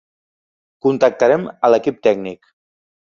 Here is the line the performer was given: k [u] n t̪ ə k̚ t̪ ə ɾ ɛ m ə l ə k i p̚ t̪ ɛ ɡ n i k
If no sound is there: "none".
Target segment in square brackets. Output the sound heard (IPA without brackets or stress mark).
u